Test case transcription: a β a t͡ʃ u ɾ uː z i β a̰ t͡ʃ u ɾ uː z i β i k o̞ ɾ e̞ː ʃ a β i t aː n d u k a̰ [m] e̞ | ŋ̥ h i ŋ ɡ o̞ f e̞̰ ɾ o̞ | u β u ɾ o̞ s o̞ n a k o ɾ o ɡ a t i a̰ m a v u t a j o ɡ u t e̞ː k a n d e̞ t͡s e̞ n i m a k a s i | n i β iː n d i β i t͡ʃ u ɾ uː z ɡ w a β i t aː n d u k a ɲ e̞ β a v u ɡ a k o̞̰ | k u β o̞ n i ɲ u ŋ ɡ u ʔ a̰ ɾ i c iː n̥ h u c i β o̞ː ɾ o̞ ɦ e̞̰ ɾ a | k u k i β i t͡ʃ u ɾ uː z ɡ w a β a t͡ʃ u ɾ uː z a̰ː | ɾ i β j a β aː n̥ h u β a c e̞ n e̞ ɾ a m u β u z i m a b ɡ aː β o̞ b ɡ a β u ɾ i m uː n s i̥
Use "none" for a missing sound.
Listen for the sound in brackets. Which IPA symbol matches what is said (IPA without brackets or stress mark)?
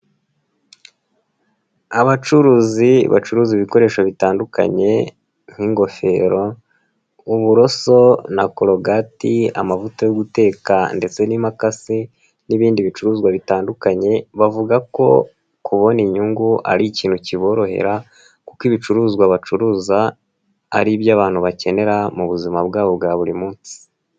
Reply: ɲ